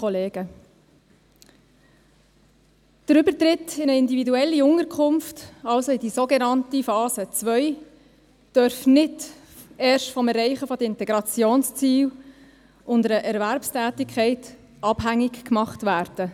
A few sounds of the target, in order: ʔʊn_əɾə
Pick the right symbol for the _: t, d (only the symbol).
d